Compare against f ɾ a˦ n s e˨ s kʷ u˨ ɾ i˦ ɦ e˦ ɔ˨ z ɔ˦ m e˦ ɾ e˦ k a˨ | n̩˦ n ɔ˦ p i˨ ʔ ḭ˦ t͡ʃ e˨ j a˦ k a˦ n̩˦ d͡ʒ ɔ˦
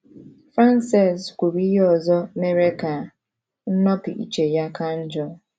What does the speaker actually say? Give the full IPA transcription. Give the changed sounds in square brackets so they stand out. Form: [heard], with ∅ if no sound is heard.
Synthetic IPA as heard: f ɾ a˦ n s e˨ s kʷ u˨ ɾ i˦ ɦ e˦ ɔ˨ z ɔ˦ m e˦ ɾ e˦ k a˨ | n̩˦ n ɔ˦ p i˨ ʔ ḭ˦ t͡ʃ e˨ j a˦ k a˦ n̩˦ d͡ʒ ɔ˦